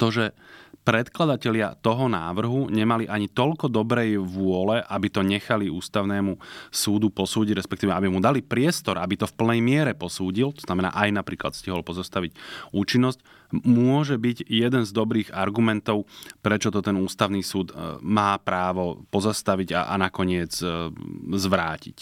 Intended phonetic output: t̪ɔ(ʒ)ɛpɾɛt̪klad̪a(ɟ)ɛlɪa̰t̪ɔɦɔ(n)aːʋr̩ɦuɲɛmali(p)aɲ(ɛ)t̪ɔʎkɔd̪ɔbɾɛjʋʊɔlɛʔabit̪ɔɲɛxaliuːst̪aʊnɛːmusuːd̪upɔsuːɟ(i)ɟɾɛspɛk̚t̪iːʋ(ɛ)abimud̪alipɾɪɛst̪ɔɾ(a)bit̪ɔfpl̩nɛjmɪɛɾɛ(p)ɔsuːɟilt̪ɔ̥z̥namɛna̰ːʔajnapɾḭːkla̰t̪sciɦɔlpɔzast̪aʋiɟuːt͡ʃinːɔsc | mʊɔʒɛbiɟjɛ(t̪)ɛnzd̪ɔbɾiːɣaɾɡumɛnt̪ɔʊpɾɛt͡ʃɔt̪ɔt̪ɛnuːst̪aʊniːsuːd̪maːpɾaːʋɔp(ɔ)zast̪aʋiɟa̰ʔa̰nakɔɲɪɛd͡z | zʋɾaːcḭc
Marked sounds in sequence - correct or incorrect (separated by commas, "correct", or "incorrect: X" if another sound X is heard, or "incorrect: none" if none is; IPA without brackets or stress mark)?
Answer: correct, incorrect: c, correct, incorrect: ʔ, incorrect: i, correct, correct, correct, correct, incorrect: d̪, correct